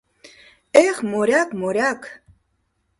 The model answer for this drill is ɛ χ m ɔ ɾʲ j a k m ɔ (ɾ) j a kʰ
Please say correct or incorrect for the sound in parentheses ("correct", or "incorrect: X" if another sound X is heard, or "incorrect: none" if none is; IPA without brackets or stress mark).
correct